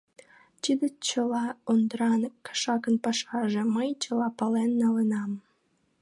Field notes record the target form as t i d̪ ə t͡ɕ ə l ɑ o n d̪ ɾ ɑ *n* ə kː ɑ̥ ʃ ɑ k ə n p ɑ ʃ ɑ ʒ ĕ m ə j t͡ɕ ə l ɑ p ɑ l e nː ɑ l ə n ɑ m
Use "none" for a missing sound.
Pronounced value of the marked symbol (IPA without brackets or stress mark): n